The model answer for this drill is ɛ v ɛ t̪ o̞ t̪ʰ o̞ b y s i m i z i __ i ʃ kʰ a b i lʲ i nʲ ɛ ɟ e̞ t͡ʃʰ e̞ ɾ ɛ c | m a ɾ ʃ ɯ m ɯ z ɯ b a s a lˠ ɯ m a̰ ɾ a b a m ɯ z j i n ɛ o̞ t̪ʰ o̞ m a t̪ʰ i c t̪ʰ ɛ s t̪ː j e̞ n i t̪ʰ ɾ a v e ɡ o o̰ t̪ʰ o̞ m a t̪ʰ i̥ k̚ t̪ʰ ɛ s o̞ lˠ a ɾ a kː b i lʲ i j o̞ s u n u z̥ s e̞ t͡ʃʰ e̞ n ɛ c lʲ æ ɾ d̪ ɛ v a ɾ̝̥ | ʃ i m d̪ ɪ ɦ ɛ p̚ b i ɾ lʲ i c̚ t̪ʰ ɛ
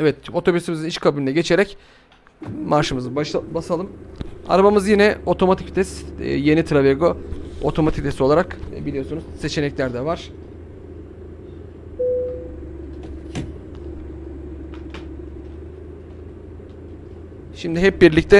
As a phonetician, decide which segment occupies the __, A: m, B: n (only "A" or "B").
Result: B